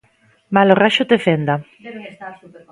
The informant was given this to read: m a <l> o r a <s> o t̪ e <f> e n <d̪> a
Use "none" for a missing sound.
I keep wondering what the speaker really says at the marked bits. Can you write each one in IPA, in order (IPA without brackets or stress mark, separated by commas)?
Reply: l, ʃ, f, d̪